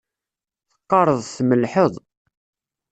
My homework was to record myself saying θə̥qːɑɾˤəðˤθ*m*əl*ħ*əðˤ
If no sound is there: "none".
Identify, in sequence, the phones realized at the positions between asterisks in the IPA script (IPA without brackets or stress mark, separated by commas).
m, ħ